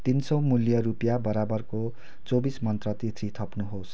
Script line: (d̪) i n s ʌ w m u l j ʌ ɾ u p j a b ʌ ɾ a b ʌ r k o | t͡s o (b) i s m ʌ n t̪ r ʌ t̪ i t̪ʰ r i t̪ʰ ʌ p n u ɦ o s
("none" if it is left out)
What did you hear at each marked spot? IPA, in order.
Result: t̪, b

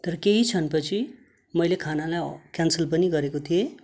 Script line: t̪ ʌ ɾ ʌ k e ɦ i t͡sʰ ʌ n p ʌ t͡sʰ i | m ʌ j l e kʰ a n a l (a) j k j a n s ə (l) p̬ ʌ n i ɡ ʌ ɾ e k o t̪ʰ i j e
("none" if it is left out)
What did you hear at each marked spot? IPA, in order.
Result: a, l

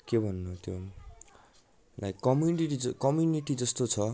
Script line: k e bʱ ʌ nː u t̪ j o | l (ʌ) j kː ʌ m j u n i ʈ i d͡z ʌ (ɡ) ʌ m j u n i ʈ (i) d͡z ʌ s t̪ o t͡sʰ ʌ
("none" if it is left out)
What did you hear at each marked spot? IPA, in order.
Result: a, k, i

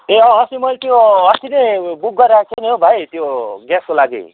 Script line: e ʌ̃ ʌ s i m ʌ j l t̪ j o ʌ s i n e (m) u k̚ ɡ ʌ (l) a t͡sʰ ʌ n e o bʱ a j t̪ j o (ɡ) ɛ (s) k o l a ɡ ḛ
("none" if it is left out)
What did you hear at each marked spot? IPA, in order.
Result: b, ɾ, ɡ, s

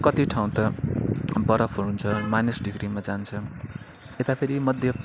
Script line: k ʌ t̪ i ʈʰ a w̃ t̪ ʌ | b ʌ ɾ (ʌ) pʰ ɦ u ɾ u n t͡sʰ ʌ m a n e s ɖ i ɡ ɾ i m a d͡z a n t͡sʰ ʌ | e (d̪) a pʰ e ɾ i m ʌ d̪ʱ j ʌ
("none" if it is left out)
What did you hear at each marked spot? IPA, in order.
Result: ʌ, t̪

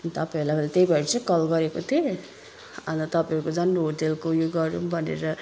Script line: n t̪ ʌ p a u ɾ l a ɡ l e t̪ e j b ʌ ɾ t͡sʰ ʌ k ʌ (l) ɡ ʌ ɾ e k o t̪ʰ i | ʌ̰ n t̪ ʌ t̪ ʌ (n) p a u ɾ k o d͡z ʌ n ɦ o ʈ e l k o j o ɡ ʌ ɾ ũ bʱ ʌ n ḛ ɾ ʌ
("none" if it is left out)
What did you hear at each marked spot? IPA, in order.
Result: l, none

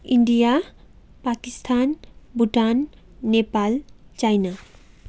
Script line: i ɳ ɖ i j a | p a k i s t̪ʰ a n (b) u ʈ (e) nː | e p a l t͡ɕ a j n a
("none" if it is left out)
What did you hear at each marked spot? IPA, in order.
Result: b, a

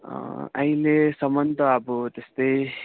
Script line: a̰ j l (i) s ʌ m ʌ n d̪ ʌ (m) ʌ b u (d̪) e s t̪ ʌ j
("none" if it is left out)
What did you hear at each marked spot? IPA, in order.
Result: e, none, t̪

